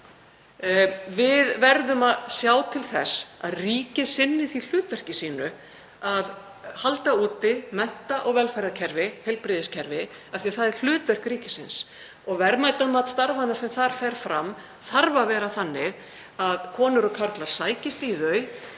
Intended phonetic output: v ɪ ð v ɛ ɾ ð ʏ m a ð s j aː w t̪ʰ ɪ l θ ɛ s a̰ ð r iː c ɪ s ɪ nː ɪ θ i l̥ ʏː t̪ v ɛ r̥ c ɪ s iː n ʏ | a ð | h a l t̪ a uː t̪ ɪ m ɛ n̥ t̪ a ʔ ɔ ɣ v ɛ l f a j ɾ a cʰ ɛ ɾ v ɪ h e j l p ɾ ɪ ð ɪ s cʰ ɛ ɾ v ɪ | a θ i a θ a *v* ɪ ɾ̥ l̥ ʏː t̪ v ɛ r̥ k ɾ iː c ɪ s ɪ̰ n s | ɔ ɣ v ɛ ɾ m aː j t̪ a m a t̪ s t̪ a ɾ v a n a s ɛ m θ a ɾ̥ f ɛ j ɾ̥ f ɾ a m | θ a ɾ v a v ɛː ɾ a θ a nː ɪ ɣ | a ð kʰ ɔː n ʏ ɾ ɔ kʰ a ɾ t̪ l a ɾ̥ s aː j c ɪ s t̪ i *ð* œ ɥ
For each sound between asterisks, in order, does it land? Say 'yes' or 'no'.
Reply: no, yes

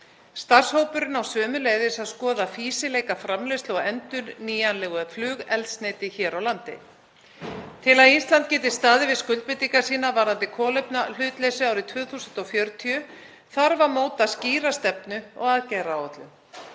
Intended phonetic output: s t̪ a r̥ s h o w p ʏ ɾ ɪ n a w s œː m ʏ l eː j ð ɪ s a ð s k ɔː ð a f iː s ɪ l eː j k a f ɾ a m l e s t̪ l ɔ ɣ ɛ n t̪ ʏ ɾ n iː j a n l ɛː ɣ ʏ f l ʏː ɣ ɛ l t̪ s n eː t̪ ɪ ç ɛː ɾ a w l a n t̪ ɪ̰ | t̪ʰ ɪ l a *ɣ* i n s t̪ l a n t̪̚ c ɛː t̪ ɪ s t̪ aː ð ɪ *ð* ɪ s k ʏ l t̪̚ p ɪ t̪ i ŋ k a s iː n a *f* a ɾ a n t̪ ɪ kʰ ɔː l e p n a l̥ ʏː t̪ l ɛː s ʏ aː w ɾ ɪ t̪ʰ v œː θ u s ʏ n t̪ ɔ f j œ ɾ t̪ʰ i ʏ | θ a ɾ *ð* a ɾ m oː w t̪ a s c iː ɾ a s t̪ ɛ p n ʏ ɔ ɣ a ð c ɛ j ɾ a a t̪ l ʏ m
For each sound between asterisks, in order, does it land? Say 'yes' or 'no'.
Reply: no, no, no, no

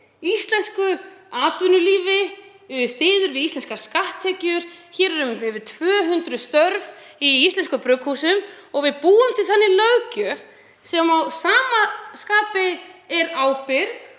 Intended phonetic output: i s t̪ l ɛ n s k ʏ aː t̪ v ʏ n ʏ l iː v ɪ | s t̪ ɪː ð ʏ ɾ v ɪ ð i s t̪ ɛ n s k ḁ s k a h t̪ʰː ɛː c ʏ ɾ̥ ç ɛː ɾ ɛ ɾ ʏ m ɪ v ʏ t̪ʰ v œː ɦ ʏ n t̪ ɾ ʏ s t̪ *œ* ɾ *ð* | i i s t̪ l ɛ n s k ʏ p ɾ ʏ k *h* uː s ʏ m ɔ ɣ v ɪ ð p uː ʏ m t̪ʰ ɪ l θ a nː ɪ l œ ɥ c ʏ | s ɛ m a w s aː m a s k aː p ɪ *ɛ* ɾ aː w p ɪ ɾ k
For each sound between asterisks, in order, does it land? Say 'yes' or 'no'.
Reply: yes, no, yes, yes

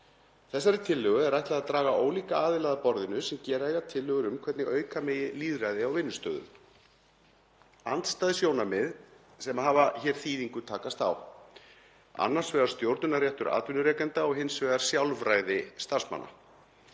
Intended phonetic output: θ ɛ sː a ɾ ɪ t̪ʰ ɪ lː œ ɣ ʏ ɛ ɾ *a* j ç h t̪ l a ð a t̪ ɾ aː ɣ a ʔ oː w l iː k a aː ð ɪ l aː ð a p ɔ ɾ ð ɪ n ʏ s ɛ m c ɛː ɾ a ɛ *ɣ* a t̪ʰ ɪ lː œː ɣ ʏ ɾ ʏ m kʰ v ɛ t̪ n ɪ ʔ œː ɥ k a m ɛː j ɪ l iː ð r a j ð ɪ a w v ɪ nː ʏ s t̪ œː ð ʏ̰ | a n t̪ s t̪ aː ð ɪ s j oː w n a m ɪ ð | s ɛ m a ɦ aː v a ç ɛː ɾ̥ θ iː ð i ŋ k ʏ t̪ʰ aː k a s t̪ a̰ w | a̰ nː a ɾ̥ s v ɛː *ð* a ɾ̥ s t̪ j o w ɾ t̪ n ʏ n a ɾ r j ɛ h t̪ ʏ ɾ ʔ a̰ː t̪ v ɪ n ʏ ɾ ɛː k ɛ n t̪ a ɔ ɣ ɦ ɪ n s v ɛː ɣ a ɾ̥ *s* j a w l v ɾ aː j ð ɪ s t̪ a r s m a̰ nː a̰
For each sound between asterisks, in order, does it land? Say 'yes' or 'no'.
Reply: yes, yes, no, yes

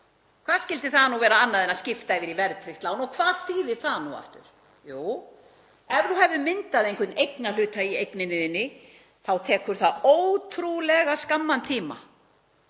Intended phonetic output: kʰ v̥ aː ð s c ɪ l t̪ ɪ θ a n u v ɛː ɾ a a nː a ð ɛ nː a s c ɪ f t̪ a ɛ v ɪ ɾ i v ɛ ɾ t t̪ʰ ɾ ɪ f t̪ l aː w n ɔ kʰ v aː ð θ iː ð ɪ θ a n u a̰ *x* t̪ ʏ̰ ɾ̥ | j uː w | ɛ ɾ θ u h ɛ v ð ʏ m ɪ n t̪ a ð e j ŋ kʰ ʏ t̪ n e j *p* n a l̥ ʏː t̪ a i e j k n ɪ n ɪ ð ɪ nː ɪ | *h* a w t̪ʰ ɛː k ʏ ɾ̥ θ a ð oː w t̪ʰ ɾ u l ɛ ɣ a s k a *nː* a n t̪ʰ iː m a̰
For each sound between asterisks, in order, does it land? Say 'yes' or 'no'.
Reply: no, no, no, no

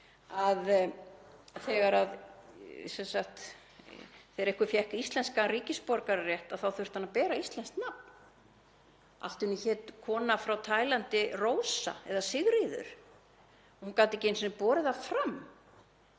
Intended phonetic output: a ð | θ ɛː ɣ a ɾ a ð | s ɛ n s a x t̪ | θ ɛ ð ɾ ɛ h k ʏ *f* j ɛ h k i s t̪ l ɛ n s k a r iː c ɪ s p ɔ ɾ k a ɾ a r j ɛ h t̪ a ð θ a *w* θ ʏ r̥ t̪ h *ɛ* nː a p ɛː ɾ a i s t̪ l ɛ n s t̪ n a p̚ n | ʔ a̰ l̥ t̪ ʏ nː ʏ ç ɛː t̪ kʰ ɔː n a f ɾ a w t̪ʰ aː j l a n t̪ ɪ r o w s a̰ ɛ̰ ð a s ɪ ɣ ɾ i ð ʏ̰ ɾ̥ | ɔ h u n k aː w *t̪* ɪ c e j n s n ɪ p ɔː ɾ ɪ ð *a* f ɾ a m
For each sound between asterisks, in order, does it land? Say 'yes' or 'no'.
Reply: yes, yes, no, yes, yes

